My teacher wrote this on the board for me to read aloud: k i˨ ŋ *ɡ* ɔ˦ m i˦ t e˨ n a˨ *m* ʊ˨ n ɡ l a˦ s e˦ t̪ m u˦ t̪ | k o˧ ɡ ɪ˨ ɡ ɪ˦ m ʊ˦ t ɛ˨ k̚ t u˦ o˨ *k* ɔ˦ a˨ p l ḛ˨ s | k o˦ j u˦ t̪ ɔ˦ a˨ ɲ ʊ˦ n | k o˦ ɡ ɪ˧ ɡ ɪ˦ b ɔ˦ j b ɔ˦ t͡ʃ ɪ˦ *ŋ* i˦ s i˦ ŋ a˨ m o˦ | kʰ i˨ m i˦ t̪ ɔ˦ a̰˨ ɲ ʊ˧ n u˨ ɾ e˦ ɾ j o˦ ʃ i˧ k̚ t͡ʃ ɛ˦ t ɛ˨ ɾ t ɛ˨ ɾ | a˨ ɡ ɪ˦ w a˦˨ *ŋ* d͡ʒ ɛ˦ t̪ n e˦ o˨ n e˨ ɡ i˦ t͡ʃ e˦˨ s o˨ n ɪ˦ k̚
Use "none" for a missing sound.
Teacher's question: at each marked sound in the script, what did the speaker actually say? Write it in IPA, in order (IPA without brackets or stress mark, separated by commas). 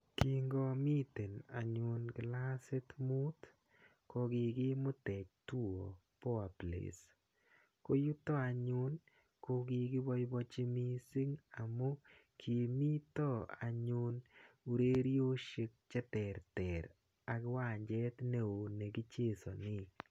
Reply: ɡ, ɲ, p, m, ɲ